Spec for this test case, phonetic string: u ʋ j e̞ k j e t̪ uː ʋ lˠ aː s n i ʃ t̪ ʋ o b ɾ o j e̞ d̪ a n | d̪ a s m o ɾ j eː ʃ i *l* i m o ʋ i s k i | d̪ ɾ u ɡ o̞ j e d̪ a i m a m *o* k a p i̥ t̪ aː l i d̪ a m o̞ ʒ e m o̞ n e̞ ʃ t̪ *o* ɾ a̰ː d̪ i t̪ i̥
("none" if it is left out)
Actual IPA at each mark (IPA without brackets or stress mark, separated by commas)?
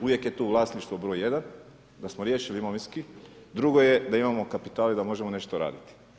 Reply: l, o, o